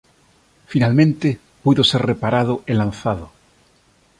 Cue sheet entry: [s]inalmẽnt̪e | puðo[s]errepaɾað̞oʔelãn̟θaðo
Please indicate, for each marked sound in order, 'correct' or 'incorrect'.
incorrect: f, correct

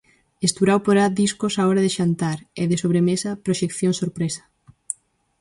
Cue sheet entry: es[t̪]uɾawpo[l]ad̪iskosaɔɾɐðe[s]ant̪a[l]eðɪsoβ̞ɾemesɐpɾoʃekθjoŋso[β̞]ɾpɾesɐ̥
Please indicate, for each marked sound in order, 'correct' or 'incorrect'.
correct, incorrect: ɾ, incorrect: ʃ, incorrect: ɾ, incorrect: none

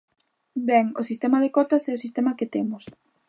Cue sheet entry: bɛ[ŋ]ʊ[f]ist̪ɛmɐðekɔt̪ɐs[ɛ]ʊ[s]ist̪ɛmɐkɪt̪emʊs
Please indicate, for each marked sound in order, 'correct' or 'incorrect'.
correct, incorrect: s, correct, correct

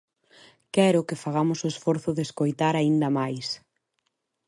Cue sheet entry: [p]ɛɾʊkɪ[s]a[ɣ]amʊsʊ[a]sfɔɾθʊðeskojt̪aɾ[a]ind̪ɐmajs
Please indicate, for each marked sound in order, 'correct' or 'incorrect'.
incorrect: k, incorrect: f, correct, incorrect: e, correct

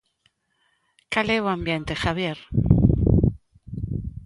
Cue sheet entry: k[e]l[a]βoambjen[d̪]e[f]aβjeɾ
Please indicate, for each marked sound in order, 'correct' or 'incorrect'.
incorrect: a, incorrect: e, incorrect: t̪, incorrect: x

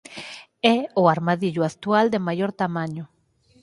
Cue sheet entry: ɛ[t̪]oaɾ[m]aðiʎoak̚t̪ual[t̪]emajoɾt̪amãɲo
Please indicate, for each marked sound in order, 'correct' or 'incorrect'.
incorrect: none, correct, incorrect: d̪

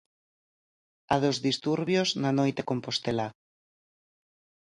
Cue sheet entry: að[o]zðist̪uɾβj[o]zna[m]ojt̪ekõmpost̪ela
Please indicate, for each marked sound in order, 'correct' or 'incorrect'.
correct, correct, incorrect: n

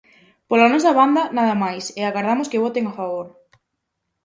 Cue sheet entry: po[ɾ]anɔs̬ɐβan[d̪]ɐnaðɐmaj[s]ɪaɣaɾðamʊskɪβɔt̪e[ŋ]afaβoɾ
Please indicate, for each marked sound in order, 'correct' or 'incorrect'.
incorrect: l, correct, correct, correct

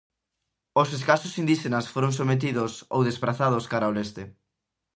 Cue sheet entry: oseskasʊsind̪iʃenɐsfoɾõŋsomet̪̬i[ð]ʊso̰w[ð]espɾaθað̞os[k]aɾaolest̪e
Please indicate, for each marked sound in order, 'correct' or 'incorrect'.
correct, correct, correct

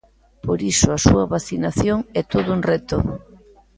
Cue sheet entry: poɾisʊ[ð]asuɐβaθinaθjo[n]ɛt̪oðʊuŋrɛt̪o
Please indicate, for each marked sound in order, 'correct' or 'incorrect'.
incorrect: none, incorrect: ŋ

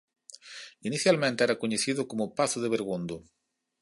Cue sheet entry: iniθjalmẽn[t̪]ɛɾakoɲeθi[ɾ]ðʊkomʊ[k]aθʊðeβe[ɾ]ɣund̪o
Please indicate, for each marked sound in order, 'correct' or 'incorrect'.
correct, incorrect: none, incorrect: p, correct

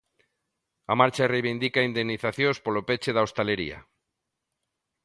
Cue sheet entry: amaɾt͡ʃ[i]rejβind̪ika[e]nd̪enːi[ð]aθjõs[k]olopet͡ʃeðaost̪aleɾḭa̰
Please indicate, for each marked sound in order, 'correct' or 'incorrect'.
incorrect: a, incorrect: i, incorrect: θ, incorrect: p

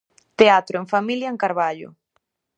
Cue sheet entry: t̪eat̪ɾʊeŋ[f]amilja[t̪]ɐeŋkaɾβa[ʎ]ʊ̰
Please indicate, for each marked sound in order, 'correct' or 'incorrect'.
correct, incorrect: none, correct

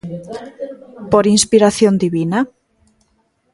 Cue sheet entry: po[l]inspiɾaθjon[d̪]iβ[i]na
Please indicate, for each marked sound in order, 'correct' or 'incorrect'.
incorrect: ɾ, correct, correct

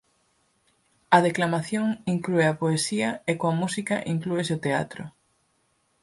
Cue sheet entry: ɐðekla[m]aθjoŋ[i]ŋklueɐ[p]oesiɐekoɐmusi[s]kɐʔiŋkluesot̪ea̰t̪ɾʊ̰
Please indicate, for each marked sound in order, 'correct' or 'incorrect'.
correct, correct, correct, incorrect: none

